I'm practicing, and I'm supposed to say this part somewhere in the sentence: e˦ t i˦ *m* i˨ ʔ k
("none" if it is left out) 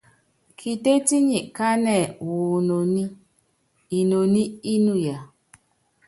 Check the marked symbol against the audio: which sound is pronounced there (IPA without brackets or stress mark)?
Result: ɲ